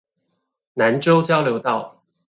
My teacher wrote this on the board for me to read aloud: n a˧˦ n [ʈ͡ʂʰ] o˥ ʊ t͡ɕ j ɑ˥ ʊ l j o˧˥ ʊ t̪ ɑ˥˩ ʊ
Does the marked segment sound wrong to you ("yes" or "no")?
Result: yes